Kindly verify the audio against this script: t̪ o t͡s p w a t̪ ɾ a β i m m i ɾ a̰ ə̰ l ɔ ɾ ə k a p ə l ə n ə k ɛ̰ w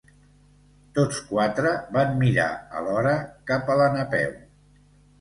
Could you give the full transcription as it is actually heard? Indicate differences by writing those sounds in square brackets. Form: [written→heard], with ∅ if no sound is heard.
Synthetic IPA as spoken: t̪ o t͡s [p→k] w a t̪ ɾ [a→ə] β [i→a] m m i ɾ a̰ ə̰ l ɔ ɾ ə k a p ə l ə n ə [k→p] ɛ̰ w

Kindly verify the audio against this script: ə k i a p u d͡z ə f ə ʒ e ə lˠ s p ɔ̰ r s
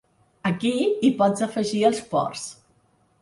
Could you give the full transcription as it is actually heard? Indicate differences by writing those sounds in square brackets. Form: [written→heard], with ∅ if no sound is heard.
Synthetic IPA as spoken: ə k i [a→i] p [u→ɔ] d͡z ə f ə ʒ [e→i] ə lˠ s p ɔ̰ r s

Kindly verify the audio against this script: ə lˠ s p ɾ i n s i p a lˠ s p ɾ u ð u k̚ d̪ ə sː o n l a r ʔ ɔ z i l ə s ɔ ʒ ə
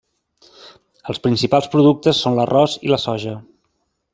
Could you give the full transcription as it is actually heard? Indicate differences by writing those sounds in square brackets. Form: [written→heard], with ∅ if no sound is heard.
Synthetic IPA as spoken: ə lˠ s p ɾ i n s i p a lˠ s p ɾ u ð u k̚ [d̪→t̪] ə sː o n l [a→ə] r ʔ ɔ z i l ə s ɔ ʒ ə

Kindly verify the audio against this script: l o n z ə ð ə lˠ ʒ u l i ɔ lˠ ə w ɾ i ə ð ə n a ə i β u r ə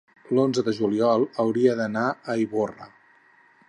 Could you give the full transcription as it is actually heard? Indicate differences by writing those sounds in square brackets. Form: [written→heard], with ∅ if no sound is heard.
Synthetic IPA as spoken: l o n z ə ð ə [lˠ→∅] ʒ u l i ɔ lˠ ə w ɾ i ə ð ə n a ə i β [u→o] r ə

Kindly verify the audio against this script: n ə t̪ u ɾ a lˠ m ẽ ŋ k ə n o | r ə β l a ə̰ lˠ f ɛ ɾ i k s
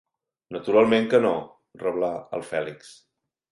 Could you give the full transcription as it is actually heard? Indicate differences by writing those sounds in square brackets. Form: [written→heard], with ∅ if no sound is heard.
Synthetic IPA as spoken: n ə t̪ u ɾ a lˠ m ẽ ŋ k ə n o | r ə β l a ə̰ lˠ f ɛ [ɾ→l] i k s

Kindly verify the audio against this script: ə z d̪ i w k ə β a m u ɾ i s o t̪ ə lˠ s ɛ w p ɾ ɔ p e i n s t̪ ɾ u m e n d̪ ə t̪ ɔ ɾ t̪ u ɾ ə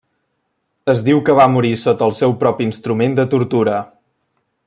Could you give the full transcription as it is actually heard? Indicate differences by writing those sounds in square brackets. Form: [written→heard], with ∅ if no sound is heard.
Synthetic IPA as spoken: ə z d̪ i w k ə β a m u ɾ i s o t̪ ə lˠ s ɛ w p ɾ ɔ p [e→i] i n s t̪ ɾ u m e n d̪ ə t̪ [ɔ→u] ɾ t̪ u ɾ ə

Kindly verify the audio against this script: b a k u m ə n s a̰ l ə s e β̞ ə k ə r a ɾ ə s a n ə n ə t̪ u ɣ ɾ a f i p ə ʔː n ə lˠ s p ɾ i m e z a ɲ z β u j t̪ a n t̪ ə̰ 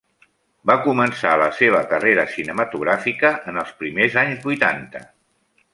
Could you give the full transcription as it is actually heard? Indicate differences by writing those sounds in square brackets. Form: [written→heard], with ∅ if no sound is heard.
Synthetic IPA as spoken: b a k u m ə n s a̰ l ə s e β̞ ə k ə r [a→e] ɾ ə s [a→i] n ə [n→m] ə t̪ u ɣ ɾ a f i [p→k] ə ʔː n ə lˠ s p ɾ i m e z a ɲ z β u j t̪ a n t̪ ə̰

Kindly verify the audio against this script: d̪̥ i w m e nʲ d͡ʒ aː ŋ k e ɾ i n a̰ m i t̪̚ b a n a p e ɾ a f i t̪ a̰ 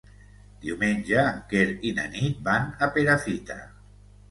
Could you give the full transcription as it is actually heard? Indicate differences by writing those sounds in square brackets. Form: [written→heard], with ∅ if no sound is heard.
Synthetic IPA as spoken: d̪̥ i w m e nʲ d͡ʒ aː ŋ k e ɾ i n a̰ [m→n] i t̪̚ b a n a p e ɾ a f i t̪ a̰

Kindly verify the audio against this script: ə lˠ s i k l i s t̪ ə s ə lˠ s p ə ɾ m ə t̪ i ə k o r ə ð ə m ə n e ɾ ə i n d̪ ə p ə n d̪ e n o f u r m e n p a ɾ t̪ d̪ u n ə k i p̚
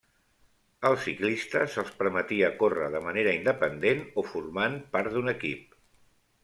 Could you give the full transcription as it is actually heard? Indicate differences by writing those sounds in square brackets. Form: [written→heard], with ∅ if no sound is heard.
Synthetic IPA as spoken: ə lˠ s i k l i s t̪ ə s ə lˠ s p ə ɾ m ə t̪ i ə k o r ə ð ə m ə n e ɾ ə i n d̪ ə p ə n d̪ e n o f u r m [e→a] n p a ɾ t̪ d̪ u n ə k i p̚

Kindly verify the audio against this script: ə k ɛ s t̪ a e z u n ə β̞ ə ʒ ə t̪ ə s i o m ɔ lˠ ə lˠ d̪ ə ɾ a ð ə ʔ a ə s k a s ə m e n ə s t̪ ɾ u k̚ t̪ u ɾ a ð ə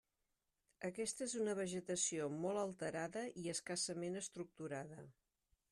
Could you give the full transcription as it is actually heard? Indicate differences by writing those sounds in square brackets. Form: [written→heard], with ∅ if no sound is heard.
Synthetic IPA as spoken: ə k ɛ s t̪ [a→ə] e z u n ə β̞ ə ʒ ə t̪ ə s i o m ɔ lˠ ə lˠ [d̪→t̪] ə ɾ a ð ə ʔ [a→i] ə s k a s ə m e n ə s t̪ ɾ u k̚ t̪ u ɾ a ð ə

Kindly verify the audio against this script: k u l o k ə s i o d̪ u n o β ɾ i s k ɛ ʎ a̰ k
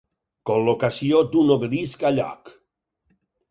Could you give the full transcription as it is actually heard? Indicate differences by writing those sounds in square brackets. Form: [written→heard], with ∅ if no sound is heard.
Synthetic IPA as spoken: k [u→o] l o k [ə→a] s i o d̪ u n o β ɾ i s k [ɛ→a] ʎ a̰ k

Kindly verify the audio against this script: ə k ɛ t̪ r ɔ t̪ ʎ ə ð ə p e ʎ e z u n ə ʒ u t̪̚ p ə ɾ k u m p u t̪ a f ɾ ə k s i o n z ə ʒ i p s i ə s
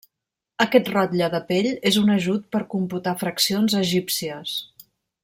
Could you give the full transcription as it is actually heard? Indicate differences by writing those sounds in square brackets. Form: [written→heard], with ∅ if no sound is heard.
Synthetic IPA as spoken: ə k ɛ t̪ r ɔ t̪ ʎ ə ð ə p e ʎ e z u n ə ʒ u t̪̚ p ə ɾ k u m p u t̪ a f ɾ ə k s i o n z ə ʒ i p s i ə s

